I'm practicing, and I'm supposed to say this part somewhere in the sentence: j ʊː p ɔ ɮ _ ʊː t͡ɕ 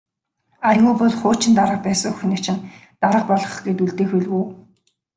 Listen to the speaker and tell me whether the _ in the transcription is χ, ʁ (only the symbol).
χ